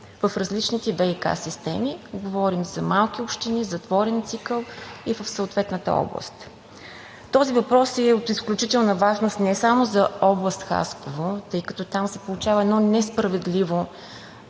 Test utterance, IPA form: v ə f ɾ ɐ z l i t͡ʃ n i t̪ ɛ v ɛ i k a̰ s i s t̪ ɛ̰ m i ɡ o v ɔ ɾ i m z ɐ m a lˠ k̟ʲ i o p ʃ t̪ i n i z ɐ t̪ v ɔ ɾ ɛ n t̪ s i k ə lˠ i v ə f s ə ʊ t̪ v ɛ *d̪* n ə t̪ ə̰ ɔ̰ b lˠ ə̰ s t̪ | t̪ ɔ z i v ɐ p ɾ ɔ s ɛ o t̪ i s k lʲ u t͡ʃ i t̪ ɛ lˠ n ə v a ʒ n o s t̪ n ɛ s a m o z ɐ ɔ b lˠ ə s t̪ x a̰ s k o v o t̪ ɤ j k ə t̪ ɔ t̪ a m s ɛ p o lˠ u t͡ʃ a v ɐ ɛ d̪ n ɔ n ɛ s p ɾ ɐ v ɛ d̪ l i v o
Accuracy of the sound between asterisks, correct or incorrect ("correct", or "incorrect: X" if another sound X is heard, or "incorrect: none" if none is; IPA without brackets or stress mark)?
incorrect: t̪